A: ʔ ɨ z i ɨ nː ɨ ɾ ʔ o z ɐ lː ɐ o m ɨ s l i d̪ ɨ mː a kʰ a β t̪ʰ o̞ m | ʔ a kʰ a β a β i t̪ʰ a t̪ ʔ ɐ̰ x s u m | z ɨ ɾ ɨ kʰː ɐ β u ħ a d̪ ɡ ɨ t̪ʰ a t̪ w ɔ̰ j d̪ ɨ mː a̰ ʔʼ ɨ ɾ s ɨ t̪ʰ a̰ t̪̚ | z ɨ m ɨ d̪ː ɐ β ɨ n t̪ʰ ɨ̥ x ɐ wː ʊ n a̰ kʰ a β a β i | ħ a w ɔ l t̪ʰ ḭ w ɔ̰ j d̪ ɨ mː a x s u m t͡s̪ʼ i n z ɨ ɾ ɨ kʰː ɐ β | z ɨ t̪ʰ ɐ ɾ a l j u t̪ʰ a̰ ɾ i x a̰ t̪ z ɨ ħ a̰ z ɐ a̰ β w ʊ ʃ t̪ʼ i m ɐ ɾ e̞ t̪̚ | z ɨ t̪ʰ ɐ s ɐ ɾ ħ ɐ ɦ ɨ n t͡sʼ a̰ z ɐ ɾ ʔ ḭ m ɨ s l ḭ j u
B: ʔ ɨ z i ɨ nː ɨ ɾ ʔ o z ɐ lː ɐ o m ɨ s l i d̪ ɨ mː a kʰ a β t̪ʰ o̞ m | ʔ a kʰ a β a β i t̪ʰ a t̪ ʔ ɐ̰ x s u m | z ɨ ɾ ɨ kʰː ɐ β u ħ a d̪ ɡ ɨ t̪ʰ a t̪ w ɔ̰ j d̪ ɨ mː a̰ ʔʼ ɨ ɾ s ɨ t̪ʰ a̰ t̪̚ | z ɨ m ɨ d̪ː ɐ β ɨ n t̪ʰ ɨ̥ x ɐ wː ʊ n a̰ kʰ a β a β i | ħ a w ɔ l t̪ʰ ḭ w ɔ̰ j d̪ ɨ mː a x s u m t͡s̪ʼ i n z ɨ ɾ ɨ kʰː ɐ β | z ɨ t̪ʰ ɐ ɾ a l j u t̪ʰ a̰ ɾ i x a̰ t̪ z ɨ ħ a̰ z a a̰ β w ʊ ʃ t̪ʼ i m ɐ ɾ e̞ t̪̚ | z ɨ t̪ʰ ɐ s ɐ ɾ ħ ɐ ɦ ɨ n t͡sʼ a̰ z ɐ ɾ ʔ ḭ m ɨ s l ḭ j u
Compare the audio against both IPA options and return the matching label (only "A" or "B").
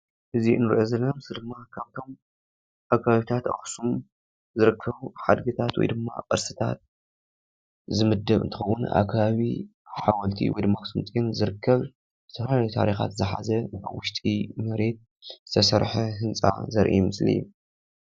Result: A